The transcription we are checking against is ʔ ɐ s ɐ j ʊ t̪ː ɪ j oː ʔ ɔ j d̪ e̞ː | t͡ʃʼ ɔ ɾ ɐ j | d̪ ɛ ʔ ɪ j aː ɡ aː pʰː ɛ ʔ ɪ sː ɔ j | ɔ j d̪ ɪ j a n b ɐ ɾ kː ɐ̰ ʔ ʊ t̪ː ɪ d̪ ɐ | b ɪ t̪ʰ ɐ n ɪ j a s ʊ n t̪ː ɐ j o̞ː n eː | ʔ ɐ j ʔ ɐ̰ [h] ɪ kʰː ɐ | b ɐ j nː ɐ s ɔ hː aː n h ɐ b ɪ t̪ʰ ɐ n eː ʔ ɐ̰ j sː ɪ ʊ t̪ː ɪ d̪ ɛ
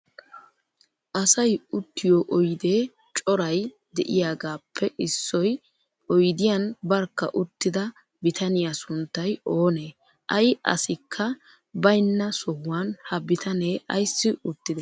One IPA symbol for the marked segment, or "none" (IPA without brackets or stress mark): s